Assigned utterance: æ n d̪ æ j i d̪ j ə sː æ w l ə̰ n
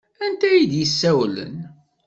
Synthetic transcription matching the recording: æ n t̪ æ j i d̪ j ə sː æ w l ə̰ n